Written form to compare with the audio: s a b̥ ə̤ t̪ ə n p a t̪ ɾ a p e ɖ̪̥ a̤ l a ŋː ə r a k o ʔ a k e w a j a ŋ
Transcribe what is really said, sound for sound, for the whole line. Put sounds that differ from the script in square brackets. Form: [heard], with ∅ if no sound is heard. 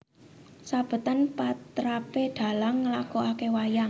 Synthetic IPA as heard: s a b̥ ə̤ t̪ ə n p a t̪ ɾ a p e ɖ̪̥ a̤ l a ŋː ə [l] a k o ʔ a k e w a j a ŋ